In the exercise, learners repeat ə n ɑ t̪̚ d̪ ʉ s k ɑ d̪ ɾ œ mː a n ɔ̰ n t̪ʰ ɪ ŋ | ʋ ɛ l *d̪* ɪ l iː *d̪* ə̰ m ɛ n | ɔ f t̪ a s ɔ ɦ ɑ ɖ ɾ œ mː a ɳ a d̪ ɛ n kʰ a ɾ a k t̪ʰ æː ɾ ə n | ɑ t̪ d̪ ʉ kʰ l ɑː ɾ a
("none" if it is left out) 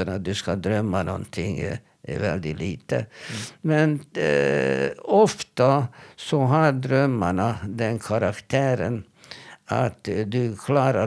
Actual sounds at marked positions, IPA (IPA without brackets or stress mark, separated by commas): d̪, t̪